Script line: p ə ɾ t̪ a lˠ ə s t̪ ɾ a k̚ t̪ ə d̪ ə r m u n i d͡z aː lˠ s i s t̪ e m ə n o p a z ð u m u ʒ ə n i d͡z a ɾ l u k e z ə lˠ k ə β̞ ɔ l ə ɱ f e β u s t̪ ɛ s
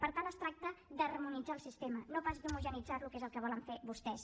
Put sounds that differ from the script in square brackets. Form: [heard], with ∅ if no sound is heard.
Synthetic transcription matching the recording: p ə ɾ t̪ a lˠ ə s t̪ ɾ a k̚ t̪ ə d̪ ə r m u n i d͡z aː lˠ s i s t̪ e m ə n o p a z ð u m u ʒ ə n i d͡z a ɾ l u k e z ə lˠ k ə β̞ ɔ l ə ɱ f e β u s t̪ ɛ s